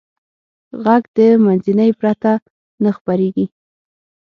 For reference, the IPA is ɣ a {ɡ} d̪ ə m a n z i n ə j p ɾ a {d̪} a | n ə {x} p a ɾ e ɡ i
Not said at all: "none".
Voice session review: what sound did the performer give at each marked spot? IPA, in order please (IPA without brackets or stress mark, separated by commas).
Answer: ɡ, t̪, x